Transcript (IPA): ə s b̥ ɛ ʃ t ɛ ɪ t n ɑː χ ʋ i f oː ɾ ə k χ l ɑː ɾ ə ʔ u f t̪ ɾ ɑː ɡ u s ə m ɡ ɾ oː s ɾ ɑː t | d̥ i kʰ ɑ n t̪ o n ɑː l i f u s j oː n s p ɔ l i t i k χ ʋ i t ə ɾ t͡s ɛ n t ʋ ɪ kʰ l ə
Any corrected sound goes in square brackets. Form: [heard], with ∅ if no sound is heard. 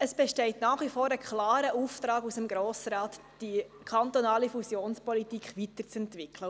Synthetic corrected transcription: ə s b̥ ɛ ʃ t ɛ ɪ t n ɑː χ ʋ i f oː ɾ ə k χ l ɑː ɾ ə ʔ u f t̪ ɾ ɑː ɡ u s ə m ɡ ɾ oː s ɾ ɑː t | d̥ i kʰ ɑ n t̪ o n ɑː l i f u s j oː n s p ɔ l i t i k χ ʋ i t ə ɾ t͡s ɛ n t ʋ ɪ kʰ l ə